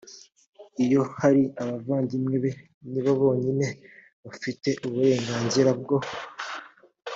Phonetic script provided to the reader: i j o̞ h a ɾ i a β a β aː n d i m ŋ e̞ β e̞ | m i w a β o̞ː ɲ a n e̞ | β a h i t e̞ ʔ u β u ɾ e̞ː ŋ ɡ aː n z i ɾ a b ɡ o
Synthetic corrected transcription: i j o̞ h a ɾ i a β a v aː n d i m ŋ e̞ β e̞ | n i β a β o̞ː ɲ i n e̞ | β a f i t e̞ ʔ u β u ɾ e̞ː ŋ ɡ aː n z i ɾ a b ɡ o